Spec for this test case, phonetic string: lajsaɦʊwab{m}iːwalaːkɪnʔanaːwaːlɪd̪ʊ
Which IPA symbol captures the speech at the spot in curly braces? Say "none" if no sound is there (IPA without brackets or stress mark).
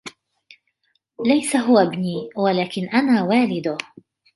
n